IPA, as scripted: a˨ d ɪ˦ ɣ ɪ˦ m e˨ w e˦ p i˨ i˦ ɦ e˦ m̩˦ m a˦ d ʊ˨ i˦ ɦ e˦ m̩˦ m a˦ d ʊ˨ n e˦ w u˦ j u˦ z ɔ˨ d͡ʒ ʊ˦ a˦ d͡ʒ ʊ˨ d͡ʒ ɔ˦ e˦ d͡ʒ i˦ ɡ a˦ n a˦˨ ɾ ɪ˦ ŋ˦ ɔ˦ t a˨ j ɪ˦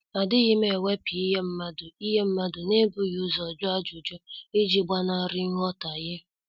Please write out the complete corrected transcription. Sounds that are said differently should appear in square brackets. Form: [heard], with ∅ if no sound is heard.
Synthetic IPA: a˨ d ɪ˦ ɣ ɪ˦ m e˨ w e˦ p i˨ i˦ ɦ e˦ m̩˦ m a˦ d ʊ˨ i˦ ɦ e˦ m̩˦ m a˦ d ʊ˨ n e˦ [b] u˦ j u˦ z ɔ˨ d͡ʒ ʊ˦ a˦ d͡ʒ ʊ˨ d͡ʒ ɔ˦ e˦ d͡ʒ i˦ [ɡ͡b] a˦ n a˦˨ ɾ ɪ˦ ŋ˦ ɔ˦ t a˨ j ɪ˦